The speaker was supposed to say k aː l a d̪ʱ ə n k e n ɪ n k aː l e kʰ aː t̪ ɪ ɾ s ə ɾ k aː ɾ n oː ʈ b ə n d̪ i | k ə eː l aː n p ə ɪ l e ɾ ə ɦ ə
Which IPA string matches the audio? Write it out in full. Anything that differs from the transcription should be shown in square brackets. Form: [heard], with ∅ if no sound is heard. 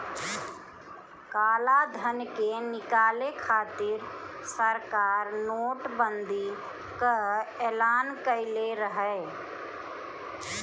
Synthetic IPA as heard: k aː l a d̪ʱ ə n k e n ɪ [∅] k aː l e kʰ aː t̪ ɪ ɾ s ə ɾ k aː ɾ n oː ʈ b ə n d̪ i | k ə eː l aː n [k] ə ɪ l e ɾ ə ɦ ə